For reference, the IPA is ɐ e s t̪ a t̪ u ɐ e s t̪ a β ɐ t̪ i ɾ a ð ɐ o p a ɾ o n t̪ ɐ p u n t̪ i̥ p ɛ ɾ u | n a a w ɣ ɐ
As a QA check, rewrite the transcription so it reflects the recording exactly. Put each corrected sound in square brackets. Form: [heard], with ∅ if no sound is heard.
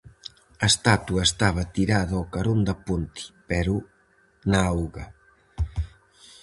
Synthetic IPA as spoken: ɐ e s t̪ a t̪ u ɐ e s t̪ a β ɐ t̪ i ɾ a ð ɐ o [k] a ɾ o n [d̪] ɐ p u n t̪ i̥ p ɛ ɾ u | n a a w ɣ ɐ

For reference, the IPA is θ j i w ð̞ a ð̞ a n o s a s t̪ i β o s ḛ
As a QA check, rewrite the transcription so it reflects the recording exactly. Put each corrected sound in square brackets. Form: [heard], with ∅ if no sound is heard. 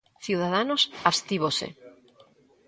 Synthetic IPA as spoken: θ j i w ð̞ a ð̞ a n o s a s t̪ i β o s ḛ

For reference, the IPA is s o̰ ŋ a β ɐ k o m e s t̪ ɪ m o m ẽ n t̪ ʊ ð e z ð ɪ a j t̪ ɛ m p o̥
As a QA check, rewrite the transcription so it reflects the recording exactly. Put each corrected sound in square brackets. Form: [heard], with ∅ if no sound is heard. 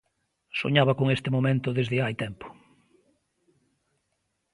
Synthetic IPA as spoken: s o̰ [ɲ] a β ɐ k o [ŋ] e s t̪ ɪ m o m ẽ n t̪ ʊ ð e z ð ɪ a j t̪ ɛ m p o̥

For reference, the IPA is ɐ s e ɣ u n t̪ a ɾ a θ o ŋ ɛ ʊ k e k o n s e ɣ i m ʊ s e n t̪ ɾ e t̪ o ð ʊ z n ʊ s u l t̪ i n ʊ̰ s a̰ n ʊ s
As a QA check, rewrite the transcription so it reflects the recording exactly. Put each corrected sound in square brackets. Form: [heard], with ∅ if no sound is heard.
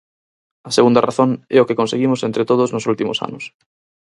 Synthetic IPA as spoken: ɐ s e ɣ u n [d̪] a [r] a θ o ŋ ɛ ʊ k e k o n s e ɣ i m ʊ s e n t̪ ɾ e t̪ o ð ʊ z n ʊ s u l t̪ i [m] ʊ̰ s a̰ n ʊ s

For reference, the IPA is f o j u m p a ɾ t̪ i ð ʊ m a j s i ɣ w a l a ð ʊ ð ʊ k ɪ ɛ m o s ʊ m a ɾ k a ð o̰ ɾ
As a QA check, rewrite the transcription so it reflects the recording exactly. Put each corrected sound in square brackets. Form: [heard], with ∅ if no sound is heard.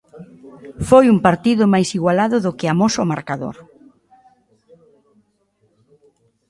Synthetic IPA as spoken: f o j u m p a ɾ t̪ i ð ʊ m a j s i ɣ w a l a ð ʊ ð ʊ k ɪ [a] m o s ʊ m a ɾ k a ð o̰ ɾ

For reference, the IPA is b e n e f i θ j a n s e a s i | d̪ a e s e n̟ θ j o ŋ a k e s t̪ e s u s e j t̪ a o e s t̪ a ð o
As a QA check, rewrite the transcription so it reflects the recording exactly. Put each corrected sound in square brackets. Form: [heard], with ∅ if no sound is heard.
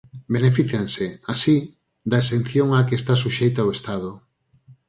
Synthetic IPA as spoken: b e n e f i θ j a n s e a s i | d̪ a e s e n̟ θ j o ŋ a k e s t̪ [a] s u [ʃ] e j t̪ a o e s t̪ a ð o

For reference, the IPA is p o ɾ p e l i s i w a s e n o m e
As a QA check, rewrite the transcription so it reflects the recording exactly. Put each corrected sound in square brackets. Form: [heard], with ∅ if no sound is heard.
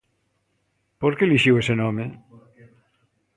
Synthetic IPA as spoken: p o ɾ [k] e l i [ʃ] i w [e] s e n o m e

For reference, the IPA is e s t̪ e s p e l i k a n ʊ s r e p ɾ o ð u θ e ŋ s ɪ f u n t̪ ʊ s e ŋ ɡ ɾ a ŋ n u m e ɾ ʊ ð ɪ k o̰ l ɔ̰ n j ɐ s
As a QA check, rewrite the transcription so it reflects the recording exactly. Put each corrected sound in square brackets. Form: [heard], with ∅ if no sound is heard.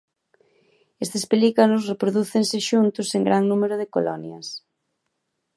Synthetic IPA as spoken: e s t̪ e s p e l i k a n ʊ s r e p ɾ o ð u θ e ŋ s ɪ [ʃ] u n t̪ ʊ s e ŋ ɡ ɾ a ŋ n u m e ɾ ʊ ð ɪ k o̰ l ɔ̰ n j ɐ s

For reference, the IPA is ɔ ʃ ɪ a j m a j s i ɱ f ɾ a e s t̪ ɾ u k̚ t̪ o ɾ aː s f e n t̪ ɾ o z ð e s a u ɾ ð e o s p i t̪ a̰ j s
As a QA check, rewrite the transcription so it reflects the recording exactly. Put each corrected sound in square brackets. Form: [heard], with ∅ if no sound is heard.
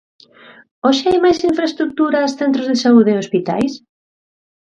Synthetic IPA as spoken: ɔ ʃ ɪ a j m a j s i ɱ f ɾ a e s t̪ ɾ u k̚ t̪ [u] ɾ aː s [θ] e n t̪ ɾ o z ð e s a u [∅] ð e o s p i t̪ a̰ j s

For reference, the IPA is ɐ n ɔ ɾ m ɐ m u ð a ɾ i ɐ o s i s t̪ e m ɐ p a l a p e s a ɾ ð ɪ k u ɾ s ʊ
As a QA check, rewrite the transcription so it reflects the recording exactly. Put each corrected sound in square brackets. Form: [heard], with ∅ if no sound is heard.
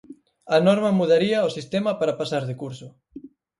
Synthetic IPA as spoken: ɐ n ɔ ɾ m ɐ m u ð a ɾ i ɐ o s i s t̪ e m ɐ p a [ɾ] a p [a] s a ɾ ð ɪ k u ɾ s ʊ

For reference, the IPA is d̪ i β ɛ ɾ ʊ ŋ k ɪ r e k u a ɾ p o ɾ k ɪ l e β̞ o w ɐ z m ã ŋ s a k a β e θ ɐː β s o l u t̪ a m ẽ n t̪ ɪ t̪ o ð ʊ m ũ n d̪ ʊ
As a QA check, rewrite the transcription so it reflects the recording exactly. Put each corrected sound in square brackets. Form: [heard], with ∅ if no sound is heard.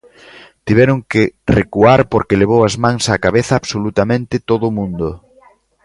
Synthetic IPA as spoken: [t̪] i β ɛ ɾ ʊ ŋ k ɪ r e k u a ɾ p o ɾ k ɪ l e β̞ o w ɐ z m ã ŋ s a k a β e θ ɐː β s o l u t̪ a m ẽ n t̪ ɪ t̪ o ð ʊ m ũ n d̪ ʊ

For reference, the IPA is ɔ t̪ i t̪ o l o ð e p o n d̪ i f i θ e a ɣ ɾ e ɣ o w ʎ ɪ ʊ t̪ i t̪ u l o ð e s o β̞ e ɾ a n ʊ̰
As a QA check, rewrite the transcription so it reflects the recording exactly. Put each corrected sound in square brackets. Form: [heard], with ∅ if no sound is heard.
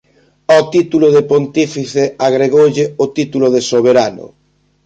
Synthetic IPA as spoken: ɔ t̪ i t̪ [u] l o ð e p o n [t̪] i f i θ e a ɣ ɾ e ɣ o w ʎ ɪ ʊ t̪ i t̪ u l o ð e s o β̞ e ɾ a n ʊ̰

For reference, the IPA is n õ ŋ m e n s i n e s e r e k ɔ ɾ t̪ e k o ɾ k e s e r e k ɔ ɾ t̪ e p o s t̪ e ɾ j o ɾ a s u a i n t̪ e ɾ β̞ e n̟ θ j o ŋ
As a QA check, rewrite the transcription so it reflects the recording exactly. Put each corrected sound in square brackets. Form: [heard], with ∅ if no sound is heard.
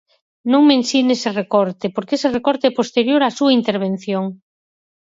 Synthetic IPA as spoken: n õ ŋ m e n s i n e s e r e k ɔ ɾ t̪ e [p] o ɾ k e s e r e k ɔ ɾ t̪ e p o s t̪ e ɾ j o ɾ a s u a i n t̪ e ɾ β̞ e n̟ θ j o ŋ

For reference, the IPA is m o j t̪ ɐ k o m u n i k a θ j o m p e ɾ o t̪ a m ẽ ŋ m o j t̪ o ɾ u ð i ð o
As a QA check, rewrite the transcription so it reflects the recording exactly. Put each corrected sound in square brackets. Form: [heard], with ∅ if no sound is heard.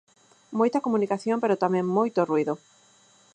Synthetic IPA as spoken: m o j t̪ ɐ k o m u n i k a θ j o m p e ɾ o t̪ a m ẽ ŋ m o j t̪ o [r] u [∅] i ð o

